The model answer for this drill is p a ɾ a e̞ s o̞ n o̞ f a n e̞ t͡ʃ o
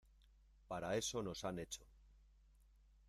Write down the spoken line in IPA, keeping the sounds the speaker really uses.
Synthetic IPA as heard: p a ɾ a e̞ s o̞ n o̞ s a n e̞ t͡ʃ o

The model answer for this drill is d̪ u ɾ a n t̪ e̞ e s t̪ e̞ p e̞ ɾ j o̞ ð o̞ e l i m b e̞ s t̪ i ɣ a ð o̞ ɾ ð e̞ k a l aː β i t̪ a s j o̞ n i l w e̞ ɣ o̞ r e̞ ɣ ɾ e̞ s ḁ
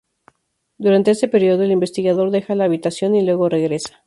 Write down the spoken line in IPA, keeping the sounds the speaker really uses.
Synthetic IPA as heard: d̪ u ɾ a n t̪ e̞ e s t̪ e̞ p e̞ ɾ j o̞ ð o̞ e l i m b e̞ s t̪ i ɣ a ð o̞ ɾ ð e̞ x a l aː β i t̪ a s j o̞ n i l w e̞ ɣ o̞ r e̞ ɣ ɾ e̞ s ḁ

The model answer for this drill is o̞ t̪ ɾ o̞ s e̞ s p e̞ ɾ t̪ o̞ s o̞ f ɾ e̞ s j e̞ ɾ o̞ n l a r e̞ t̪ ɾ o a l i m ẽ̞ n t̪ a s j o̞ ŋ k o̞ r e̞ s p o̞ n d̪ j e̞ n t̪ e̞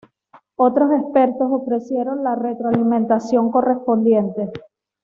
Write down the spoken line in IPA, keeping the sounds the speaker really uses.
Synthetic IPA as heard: o̞ t̪ ɾ o̞ s e̞ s p e̞ ɾ t̪ o̞ s o̞ f ɾ e̞ s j e̞ ɾ o̞ n l a r e̞ t̪ ɾ o a l i m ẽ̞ n t̪ a s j o̞ ŋ k o̞ r e̞ s p o̞ n d̪ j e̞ n t̪ e̞

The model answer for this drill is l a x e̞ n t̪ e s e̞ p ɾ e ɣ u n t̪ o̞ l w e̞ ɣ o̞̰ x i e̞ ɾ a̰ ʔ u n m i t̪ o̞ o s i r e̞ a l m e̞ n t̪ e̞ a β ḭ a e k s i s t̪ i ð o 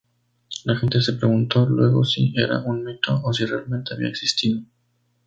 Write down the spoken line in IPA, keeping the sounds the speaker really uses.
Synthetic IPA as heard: l a x e̞ n t̪ e s e̞ p ɾ e ɣ u n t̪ o̞ l w e̞ ɣ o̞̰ s i e̞ ɾ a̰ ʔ u n m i t̪ o̞ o s i r e̞ a l m e̞ n t̪ e̞ a β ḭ a e k s i s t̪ i ð o

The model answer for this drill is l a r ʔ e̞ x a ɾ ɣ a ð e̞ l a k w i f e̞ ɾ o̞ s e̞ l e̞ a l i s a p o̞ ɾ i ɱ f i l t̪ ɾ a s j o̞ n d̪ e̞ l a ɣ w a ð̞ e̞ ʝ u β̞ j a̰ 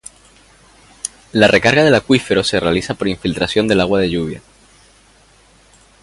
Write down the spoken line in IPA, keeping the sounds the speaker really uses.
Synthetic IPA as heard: l a r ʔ e̞ k a ɾ ɣ a ð e̞ l a k w i f e̞ ɾ o̞ s e̞ r e̞ a l i s a p o̞ ɾ i ɱ f i l t̪ ɾ a s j o̞ n d̪ e̞ l a ɣ w a ð̞ e̞ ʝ u β̞ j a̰

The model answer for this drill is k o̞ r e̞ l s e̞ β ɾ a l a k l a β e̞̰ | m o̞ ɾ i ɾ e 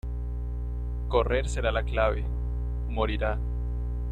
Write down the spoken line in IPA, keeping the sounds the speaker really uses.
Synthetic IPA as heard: k o̞ r e̞ ɾ s e̞ ɾ a l a k l a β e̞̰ | m o̞ ɾ i ɾ a

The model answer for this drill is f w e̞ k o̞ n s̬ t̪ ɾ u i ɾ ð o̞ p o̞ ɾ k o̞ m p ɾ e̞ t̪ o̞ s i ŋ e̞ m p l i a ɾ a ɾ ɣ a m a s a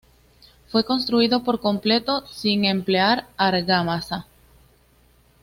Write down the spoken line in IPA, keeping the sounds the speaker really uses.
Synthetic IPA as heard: f w e̞ k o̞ n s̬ t̪ ɾ u i ð o̞ p o̞ ɾ k o̞ m p l e̞ t̪ o̞ s i ŋ e̞ m p l e a ɾ a ɾ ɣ a m a s a

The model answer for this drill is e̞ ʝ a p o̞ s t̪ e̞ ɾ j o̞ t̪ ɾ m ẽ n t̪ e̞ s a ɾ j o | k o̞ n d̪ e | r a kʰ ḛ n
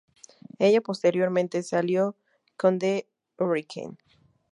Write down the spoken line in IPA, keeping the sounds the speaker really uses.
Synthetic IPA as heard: e̞ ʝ a p o̞ s t̪ e̞ ɾ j o̞ ɾ m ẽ n t̪ e̞ s a l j o | k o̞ n d̪ e | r i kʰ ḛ n

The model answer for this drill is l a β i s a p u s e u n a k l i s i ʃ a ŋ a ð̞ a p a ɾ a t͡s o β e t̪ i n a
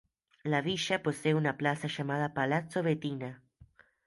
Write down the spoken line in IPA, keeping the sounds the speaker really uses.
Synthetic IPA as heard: l a β i ʃ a p o s e u n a p l a s a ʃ a m a ð̞ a p a l a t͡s o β e t̪ i n a

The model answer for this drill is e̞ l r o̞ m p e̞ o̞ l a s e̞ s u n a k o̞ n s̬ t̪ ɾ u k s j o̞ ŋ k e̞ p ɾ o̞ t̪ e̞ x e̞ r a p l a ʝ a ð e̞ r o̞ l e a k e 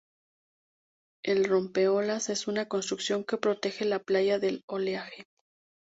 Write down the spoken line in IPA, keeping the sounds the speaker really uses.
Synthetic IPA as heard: e̞ l r o̞ m p e̞ o̞ l a s e̞ s u n a k o̞ n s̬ t̪ ɾ u k s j o̞ ŋ k e̞ p ɾ o̞ t̪ e̞ x e̞ l a p l a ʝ a ð e̞ l o̞ l e a x e

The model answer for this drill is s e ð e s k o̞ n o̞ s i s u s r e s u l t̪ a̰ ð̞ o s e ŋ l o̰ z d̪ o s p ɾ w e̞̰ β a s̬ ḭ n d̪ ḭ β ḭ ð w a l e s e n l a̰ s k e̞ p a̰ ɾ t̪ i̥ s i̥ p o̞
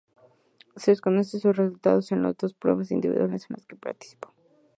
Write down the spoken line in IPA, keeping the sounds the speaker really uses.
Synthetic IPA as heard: s e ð e s k o̞ n o̞ s e s u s r e s u l t̪ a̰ ð̞ o s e n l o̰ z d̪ o s p ɾ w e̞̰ β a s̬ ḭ n d̪ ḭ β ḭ ð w a l e s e n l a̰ s k e̞ p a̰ ɾ t̪ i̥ s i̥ p o̞

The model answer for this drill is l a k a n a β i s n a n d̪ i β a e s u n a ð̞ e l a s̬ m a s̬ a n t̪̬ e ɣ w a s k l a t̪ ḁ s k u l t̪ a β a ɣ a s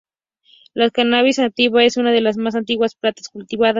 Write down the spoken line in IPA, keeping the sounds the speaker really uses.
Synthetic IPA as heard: l a k a n a β i s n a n t̪ i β a e s u n a ð̞ e l a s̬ m a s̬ a n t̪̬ i ɣ w a s p l a t̪ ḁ s k u l t̪ i β a ð a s

